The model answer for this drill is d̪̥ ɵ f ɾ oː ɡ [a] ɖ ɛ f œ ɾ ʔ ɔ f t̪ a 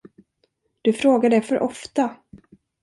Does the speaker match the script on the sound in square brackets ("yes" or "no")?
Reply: yes